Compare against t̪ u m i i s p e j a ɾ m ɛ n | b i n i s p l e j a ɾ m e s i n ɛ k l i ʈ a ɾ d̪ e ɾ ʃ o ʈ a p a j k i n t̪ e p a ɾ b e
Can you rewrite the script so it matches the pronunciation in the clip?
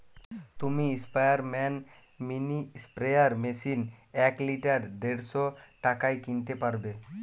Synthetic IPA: t̪ u m i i s p a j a ɾ m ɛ n | m i n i s p ɾ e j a ɾ m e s i n ɛ k l i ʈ a ɾ d̪ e ɾ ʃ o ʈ a k a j k i n t̪ e p a ɾ b e